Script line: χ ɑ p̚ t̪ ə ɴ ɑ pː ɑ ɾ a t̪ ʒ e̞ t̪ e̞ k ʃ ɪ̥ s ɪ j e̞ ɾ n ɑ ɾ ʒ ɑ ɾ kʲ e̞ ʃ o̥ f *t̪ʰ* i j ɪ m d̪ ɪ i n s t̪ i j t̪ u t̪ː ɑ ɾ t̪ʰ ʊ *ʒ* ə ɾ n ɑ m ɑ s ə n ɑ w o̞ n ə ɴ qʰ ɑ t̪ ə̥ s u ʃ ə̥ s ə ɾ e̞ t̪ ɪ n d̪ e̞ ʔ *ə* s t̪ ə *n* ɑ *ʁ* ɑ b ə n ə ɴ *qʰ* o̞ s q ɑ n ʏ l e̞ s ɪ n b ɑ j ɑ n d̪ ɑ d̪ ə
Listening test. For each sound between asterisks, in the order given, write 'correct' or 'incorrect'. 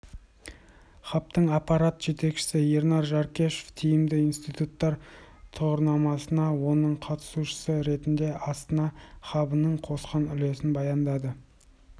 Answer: correct, incorrect, incorrect, correct, incorrect, correct

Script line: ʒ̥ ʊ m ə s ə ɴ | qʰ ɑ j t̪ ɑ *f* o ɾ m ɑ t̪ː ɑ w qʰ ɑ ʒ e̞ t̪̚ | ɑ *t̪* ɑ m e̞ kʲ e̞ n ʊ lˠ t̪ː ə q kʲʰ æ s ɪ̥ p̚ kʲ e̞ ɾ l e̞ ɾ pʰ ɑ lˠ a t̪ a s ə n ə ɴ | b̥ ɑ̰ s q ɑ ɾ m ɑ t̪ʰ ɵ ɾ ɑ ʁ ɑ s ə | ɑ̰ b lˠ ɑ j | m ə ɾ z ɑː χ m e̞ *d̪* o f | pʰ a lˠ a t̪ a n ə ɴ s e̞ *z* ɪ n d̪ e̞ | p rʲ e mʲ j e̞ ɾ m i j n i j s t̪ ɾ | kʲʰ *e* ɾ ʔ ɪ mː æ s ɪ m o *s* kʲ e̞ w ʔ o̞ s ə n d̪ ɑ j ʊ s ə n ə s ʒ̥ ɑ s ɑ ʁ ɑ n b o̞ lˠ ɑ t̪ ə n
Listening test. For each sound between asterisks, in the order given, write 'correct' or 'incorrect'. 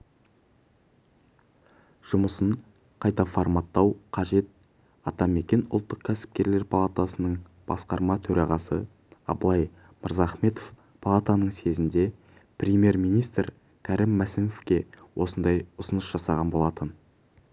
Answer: correct, correct, incorrect, correct, incorrect, incorrect

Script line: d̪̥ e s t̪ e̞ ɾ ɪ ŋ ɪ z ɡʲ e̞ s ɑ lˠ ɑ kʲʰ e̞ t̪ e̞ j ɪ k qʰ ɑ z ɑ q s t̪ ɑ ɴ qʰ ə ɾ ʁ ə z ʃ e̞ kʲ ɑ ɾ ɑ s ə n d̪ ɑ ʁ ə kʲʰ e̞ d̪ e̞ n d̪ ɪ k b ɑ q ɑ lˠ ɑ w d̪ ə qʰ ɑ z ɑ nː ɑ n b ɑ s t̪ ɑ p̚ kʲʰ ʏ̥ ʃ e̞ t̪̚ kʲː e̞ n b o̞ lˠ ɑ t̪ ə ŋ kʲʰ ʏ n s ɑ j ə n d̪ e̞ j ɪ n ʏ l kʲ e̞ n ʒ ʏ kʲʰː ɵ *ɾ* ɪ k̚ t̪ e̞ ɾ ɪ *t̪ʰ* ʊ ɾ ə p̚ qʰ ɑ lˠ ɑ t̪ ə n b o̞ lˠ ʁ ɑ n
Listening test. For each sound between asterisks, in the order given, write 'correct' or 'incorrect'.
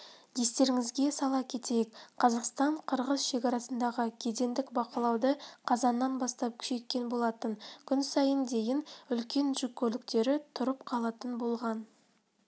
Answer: incorrect, correct

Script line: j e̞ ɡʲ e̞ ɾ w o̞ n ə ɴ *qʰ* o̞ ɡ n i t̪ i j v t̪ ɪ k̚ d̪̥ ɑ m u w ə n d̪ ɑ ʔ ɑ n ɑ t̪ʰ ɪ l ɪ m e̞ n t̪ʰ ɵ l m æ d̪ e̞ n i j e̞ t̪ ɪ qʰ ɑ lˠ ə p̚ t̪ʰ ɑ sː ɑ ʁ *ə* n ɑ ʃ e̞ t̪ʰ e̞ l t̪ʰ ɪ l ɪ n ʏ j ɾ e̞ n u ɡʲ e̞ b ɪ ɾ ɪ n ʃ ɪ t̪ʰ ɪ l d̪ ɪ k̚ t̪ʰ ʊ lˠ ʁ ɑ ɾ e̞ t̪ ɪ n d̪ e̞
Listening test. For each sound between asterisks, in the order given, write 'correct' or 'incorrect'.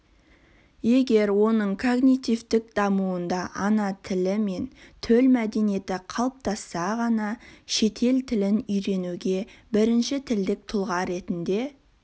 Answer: incorrect, incorrect

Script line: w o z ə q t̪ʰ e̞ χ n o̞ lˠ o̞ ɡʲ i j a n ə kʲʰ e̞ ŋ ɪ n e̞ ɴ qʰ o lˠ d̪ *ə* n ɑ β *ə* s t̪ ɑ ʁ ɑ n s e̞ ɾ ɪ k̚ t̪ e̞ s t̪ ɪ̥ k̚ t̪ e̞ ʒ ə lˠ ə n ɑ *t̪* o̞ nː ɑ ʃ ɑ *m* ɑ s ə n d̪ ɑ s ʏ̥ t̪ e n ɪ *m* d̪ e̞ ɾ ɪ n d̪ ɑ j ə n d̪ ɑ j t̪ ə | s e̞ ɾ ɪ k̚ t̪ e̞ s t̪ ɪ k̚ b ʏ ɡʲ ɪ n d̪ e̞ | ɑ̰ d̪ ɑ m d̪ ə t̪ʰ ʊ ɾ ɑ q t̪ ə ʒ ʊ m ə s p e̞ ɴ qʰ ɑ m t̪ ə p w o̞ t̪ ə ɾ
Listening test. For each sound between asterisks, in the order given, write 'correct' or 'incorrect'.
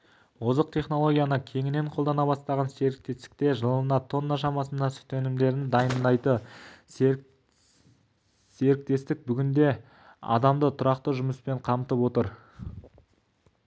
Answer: incorrect, incorrect, incorrect, correct, correct

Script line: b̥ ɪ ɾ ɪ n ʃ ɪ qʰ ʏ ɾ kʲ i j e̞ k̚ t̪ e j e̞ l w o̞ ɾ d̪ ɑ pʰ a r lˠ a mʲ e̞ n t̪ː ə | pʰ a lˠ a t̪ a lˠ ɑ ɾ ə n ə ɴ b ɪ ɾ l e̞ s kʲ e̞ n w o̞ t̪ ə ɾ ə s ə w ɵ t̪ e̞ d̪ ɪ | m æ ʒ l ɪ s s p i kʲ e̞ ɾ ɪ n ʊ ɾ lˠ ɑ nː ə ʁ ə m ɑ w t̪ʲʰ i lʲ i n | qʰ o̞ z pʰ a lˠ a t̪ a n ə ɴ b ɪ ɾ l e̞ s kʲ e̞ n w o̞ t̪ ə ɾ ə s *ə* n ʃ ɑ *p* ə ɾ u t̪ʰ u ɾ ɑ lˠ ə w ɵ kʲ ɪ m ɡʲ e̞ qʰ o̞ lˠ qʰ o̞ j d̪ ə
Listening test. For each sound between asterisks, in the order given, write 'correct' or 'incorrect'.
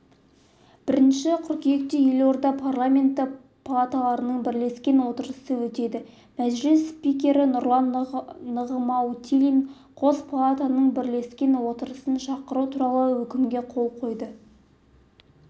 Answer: correct, incorrect

